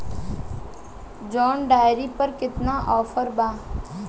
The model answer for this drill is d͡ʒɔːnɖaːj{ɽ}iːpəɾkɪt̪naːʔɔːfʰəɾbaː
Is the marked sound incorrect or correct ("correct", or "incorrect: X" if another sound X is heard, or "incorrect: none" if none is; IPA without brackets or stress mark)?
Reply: incorrect: ɾ